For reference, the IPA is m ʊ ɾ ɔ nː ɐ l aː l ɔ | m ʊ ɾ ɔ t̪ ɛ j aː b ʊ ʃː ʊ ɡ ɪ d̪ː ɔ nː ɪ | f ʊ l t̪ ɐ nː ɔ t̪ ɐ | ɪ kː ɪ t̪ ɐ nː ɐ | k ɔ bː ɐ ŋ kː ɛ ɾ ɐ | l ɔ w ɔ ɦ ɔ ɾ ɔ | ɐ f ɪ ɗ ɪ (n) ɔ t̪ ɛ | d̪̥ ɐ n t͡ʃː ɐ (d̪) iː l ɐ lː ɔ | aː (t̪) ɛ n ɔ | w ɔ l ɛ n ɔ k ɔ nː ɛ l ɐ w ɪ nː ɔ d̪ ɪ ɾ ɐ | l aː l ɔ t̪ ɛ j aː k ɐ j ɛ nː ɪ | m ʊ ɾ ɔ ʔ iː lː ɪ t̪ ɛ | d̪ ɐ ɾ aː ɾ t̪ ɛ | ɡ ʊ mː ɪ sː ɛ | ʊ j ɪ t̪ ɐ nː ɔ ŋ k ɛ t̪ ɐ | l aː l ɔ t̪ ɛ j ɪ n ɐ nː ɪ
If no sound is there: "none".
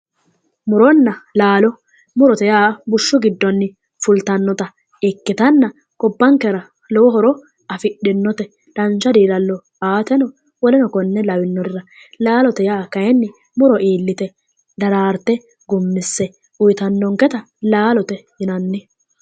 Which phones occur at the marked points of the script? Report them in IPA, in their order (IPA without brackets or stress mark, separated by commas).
nː, d̪, t̪